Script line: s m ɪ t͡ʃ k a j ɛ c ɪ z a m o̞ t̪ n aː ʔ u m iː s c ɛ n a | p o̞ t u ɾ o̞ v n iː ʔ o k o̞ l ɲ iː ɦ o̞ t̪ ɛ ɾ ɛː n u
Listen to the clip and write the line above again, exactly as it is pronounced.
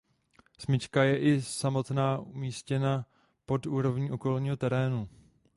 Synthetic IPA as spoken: s m ɪ t͡ʃ k a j ɛ ʔ ɪ s a m o̞ t̪ n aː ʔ u m iː s c ɛ n a | p o̞ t uː ɾ o̞ v ɲ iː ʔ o k o̞ l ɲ iː ɦ o̞ t̪ ɛ ɾ ɛː n u